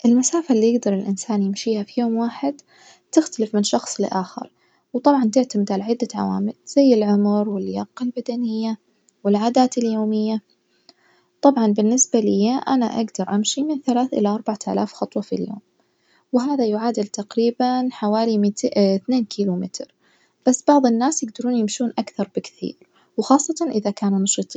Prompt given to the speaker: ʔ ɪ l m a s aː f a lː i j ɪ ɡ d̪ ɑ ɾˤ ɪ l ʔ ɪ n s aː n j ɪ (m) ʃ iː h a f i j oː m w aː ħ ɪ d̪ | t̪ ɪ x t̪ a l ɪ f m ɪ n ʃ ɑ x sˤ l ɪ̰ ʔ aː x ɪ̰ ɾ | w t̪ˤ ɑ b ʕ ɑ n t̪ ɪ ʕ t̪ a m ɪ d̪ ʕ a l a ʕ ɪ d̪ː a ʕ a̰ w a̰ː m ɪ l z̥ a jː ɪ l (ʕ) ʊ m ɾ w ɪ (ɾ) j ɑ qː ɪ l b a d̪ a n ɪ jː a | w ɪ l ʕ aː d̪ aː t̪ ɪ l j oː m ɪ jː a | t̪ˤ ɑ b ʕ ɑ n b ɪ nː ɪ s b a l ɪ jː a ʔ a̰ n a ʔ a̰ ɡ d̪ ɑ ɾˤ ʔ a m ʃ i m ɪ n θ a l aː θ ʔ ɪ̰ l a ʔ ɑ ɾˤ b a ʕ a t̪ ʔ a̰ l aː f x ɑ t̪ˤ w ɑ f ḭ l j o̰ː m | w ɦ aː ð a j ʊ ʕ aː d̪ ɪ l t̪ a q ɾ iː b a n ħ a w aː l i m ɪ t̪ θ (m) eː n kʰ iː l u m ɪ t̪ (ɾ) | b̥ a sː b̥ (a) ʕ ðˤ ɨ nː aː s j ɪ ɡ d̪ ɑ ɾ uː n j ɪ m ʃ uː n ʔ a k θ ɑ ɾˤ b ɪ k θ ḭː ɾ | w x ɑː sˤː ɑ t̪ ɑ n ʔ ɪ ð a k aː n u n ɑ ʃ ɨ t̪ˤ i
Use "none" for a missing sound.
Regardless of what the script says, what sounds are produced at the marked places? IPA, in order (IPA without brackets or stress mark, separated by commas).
m, ʕ, l, n, ɾ, ɑ